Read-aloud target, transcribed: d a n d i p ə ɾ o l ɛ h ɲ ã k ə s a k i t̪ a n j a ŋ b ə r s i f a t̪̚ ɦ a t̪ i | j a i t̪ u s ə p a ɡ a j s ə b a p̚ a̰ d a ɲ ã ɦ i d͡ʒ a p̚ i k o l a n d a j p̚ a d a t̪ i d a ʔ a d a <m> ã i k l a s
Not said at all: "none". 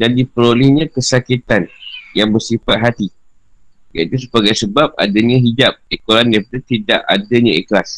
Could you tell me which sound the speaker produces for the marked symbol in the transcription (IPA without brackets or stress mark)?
ɲ